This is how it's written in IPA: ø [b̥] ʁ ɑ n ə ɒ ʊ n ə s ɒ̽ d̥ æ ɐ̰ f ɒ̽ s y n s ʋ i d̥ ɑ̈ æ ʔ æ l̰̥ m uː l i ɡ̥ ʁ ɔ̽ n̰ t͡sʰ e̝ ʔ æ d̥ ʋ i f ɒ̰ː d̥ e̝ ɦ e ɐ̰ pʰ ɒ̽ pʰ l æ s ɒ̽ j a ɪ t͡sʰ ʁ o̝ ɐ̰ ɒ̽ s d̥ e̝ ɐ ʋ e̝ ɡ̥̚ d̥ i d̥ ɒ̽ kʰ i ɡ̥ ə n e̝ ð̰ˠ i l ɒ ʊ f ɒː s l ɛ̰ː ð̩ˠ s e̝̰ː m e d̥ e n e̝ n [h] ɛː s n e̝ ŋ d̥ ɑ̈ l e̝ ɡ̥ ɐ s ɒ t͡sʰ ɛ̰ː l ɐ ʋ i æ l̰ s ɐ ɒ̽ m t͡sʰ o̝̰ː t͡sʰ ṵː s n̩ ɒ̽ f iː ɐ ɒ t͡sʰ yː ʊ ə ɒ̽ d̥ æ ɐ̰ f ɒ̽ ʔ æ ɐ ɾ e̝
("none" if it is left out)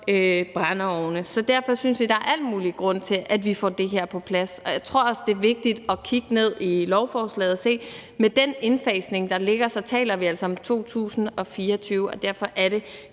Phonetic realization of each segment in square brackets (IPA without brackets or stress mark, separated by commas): b̥, f